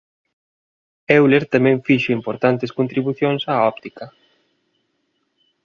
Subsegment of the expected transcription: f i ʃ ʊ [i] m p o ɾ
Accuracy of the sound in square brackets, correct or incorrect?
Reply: correct